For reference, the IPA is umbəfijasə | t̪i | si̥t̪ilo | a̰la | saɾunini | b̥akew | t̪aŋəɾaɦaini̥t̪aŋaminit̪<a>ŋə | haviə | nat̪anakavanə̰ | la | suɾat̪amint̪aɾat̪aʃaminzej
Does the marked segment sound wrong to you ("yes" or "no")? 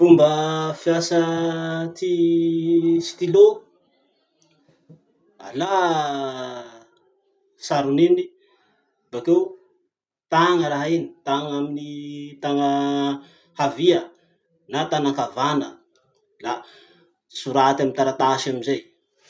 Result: no